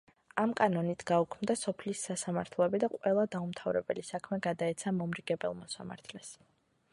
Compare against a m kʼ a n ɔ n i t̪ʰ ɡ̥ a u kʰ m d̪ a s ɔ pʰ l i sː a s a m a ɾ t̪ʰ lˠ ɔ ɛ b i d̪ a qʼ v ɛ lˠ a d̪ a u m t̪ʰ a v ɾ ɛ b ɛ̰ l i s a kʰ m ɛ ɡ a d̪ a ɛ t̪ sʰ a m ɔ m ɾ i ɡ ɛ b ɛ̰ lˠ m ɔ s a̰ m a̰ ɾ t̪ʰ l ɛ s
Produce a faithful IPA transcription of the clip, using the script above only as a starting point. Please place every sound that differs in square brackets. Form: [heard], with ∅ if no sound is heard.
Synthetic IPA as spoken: a m kʼ a n ɔ n i t̪ʰ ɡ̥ a u kʰ m d̪ a s ɔ pʰ l i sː a s a m a ɾ t̪ʰ lˠ ɔ ɛ b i d̪ a qʼ [w] ɛ lˠ a d̪ a u m t̪ʰ a v ɾ ɛ b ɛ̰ l i s a kʰ m ɛ ɡ a d̪ a ɛ t̪ sʰ a m ɔ m ɾ i ɡ ɛ b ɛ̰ lˠ m ɔ s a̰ m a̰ ɾ t̪ʰ l ɛ s

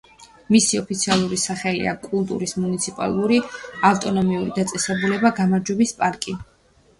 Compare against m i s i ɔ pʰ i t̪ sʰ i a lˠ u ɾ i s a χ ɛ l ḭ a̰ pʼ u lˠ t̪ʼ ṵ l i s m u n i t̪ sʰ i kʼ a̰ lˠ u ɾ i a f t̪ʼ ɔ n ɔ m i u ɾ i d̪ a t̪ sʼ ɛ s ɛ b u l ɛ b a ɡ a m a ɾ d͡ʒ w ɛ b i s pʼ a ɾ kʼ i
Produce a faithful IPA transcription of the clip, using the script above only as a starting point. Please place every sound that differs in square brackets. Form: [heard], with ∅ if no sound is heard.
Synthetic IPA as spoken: m i s i ɔ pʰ i t̪ sʰ i a lˠ u ɾ i s a χ ɛ l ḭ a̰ [kʼ] u lˠ t̪ʼ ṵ [ɾ] i s m u n i t̪ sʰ i [pʼ] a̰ lˠ u ɾ i a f t̪ʼ ɔ n ɔ m i u ɾ i d̪ a t̪ sʼ ɛ s ɛ b u l ɛ b a ɡ a m a ɾ d͡ʒ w ɛ b i s pʼ a ɾ kʼ i

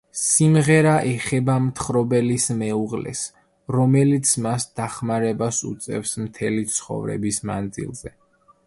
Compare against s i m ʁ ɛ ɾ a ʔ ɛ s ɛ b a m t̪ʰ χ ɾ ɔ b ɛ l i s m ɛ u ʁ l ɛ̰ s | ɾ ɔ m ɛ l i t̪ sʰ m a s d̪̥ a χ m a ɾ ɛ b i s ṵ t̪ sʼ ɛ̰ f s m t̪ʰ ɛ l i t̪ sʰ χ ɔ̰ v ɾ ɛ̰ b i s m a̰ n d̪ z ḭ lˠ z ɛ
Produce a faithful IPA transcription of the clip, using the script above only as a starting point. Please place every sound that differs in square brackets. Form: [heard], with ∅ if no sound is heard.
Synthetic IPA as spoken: s i m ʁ ɛ ɾ a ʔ ɛ [χ] ɛ b a m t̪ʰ χ ɾ ɔ b ɛ l i s m ɛ u ʁ l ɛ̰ s | ɾ ɔ m ɛ l i t̪ sʰ m a s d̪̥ a χ m a ɾ ɛ b [a] s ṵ t̪ sʼ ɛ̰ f s m t̪ʰ ɛ l i t̪ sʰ χ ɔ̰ v ɾ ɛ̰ b i s m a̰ n d̪ z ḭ lˠ z ɛ

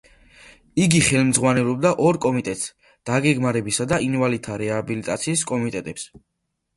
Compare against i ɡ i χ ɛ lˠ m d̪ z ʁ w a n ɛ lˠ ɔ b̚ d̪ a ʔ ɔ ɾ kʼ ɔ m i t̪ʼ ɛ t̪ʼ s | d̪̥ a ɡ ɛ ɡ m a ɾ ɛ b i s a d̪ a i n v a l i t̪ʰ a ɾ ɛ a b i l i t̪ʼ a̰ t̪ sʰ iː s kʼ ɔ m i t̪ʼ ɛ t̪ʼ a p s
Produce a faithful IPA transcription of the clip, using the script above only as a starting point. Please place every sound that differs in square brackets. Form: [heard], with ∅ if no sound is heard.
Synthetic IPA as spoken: i ɡ i χ ɛ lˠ m d̪ z ʁ w a n ɛ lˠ ɔ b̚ d̪ a ʔ ɔ ɾ kʼ ɔ m i t̪ʼ ɛ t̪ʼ s | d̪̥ a ɡ ɛ ɡ m a ɾ ɛ b i s a d̪ a i n v a l i t̪ʰ a ɾ ɛ a b i l i t̪ʼ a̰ t̪ sʰ iː s kʼ ɔ m i t̪ʼ ɛ t̪ʼ [ɛ] p s

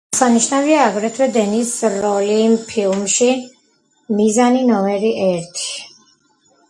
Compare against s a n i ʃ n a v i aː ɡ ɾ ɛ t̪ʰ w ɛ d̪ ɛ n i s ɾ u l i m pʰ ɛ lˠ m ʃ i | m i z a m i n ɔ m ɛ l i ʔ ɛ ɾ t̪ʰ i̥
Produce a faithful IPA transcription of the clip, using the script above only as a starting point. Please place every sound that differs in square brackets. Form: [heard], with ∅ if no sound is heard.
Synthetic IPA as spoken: s a n i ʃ n a v i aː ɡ ɾ ɛ t̪ʰ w ɛ d̪ ɛ n i s ɾ [ɔ] l i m pʰ [i] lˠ m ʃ i | m i z a [n] i n ɔ m ɛ [ɾ] i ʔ ɛ ɾ t̪ʰ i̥

